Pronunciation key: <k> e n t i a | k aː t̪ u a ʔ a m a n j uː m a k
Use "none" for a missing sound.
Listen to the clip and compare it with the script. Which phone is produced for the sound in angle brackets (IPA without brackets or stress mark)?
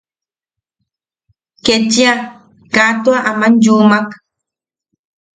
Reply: k